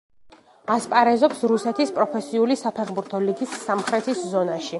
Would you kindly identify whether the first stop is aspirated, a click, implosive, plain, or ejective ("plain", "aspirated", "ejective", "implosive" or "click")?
ejective